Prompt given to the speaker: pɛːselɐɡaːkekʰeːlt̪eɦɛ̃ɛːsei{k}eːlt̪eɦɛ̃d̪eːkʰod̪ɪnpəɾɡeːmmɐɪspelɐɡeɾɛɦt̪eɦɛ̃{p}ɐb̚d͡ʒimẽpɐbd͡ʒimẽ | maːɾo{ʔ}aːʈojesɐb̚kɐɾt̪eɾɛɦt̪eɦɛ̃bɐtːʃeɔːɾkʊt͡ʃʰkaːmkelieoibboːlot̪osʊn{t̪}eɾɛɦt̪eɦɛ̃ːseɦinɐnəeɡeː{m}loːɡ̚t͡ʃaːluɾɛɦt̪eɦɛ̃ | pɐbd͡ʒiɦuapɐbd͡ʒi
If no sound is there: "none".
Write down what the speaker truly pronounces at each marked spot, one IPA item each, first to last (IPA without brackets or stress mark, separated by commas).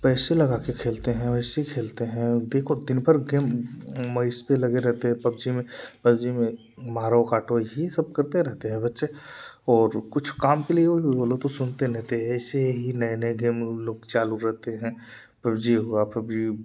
kʰ, p, k, t̪, m